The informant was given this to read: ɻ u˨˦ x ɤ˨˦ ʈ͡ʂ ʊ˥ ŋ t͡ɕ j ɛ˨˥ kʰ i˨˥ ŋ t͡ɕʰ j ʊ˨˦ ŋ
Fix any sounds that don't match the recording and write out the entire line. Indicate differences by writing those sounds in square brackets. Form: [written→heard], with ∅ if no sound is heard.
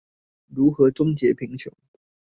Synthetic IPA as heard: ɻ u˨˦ x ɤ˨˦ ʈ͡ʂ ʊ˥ ŋ t͡ɕ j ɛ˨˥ [kʰ→pʰ] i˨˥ ŋ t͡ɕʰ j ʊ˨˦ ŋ